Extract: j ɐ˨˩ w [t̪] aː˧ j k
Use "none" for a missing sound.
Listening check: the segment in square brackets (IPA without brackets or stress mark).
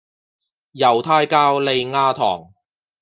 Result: t̪ʰ